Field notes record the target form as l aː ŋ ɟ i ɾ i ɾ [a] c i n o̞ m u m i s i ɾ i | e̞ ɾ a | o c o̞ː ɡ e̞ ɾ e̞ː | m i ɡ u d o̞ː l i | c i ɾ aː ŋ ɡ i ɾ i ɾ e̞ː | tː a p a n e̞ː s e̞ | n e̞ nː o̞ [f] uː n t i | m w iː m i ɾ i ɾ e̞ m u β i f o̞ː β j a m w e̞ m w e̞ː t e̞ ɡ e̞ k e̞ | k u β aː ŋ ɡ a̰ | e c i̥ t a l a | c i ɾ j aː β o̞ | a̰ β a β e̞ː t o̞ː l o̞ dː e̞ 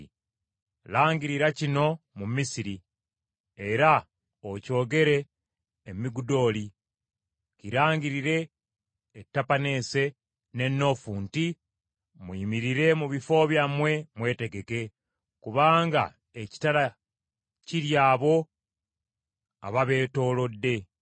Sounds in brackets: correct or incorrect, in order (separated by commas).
correct, correct